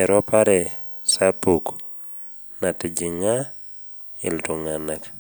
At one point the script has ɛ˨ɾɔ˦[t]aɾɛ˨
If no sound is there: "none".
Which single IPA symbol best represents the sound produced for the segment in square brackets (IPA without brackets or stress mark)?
p